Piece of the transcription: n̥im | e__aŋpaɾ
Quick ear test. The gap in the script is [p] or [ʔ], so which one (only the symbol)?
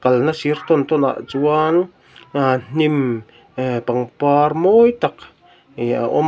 p